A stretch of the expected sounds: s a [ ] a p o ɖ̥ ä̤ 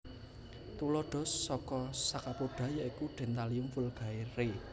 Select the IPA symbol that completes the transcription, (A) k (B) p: A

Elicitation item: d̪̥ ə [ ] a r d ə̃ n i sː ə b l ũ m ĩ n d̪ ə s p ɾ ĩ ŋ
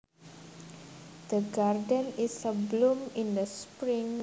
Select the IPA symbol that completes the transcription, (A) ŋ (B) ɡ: B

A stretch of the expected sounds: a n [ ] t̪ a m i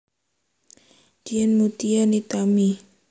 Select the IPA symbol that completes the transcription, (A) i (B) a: A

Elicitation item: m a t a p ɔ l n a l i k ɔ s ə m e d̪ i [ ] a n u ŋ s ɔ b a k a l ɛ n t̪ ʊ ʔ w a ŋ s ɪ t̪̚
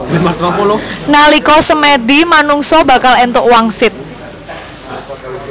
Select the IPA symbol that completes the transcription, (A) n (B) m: B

